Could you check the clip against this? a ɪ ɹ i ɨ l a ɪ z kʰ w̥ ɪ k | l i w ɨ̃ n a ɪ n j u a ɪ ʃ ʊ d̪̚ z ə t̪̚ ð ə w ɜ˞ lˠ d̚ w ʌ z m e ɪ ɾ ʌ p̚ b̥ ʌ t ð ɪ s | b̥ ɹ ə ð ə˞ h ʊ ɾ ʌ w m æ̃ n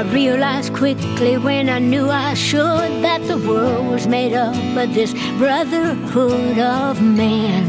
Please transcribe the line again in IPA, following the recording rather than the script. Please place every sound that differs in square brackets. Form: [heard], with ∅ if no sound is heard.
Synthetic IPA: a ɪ ɹ i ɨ l a ɪ z kʰ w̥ ɪ k | l i w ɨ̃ n a ɪ n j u a ɪ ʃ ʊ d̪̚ [ð] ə t̪̚ ð ə w ɜ˞ lˠ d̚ w ʌ z m e ɪ ɾ ʌ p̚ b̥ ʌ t ð ɪ s | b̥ ɹ [ʌ] ð ə˞ h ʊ ɾ ʌ [v] m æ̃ n